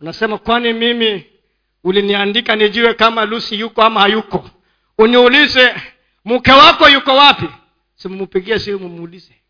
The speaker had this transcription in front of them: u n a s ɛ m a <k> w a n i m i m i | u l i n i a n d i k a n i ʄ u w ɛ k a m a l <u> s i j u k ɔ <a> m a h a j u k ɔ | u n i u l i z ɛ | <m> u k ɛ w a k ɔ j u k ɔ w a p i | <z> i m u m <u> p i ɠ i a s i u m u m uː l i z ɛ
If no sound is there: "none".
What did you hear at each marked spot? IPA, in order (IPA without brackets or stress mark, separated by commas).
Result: k, u, a, m, s, u